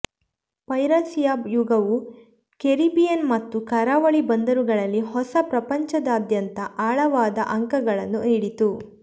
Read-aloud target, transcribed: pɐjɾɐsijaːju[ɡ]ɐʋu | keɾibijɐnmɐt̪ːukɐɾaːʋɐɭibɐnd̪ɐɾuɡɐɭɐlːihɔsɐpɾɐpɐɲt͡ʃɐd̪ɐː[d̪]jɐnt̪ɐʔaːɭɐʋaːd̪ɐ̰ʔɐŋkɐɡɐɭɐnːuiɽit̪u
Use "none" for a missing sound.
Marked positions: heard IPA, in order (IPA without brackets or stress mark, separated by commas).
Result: ɡ, d̪